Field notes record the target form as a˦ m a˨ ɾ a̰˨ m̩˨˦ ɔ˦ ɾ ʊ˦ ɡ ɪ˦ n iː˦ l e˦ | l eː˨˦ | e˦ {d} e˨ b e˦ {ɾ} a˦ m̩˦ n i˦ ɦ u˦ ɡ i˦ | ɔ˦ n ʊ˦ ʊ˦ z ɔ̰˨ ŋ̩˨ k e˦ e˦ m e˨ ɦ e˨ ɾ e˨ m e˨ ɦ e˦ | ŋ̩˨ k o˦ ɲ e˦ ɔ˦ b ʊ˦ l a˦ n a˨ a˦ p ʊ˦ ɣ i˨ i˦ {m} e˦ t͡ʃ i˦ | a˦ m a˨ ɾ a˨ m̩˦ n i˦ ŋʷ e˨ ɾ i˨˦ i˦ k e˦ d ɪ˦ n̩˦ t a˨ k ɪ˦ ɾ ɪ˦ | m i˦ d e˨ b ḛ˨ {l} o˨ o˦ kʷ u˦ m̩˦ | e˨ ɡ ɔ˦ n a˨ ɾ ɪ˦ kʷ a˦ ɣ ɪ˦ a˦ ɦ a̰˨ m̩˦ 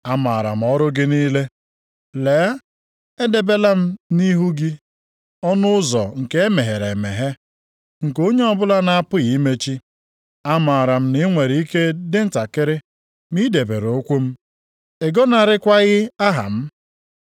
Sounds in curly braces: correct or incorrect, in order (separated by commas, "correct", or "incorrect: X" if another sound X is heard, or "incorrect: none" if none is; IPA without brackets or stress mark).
correct, incorrect: l, correct, incorrect: ɾ